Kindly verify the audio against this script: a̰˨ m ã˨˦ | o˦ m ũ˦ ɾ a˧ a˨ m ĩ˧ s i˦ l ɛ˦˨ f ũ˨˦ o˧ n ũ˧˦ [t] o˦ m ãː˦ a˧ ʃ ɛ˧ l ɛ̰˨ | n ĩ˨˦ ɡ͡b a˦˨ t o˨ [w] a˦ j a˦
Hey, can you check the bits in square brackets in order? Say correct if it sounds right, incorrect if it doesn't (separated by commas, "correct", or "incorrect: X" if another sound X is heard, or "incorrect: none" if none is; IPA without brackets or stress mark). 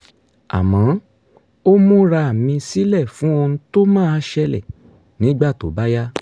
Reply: correct, incorrect: b